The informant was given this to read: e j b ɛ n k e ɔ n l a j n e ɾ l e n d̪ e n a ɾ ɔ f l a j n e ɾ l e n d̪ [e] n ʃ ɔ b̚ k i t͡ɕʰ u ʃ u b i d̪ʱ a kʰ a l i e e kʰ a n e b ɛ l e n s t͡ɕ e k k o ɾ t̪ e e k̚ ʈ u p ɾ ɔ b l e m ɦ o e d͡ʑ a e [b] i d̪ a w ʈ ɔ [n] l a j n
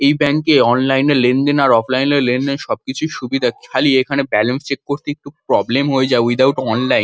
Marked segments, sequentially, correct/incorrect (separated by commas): correct, incorrect, correct